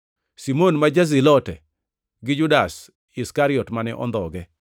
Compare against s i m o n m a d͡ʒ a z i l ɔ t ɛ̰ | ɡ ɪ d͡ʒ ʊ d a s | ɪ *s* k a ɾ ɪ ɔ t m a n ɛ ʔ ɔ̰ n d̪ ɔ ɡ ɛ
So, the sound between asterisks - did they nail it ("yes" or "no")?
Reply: yes